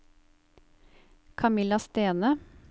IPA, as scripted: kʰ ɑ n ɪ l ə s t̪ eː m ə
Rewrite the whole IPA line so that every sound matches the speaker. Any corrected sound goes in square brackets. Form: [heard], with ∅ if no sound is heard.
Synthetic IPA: kʰ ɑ [m] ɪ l [ɑ] s t̪ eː [n] ə